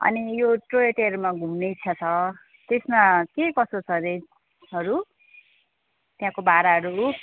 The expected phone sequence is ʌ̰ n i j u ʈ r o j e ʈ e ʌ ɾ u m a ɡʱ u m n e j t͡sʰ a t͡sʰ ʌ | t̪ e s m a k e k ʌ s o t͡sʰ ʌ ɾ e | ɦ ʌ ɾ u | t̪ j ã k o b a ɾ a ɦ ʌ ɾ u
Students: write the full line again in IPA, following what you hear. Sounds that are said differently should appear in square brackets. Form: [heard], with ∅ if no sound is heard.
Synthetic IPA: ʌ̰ n i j [o] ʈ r o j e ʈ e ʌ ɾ u m a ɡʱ u m n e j t͡sʰ [ʌ] t͡sʰ ʌ | t̪ e s m a k e k ʌ s o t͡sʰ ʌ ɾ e | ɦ ʌ ɾ u | t̪ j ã k o b a ɾ a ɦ ʌ ɾ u